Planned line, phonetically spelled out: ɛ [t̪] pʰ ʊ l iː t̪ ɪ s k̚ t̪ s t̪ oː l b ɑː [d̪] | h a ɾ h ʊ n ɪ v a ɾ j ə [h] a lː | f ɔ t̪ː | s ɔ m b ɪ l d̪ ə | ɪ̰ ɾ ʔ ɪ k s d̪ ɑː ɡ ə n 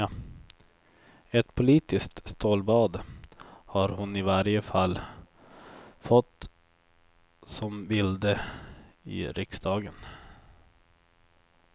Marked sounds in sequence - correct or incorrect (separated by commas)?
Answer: correct, correct, incorrect